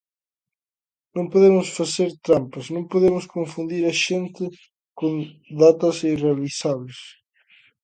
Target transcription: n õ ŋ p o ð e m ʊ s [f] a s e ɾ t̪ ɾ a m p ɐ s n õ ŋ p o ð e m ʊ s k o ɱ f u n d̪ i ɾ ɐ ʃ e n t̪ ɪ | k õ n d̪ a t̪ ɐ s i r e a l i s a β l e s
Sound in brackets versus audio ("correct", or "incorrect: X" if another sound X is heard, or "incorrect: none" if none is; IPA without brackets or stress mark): correct